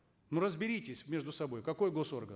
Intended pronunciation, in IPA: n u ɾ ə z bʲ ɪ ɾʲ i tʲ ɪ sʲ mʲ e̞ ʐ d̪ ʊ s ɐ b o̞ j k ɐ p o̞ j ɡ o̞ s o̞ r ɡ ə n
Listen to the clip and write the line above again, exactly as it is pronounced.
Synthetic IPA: n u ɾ ə z bʲ ɪ ɾʲ i tʲ ɪ sʲ mʲ e̞ ʐ d̪ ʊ s ɐ b o̞ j k ɐ k o̞ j ɡ o̞ s o̞ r ɡ ə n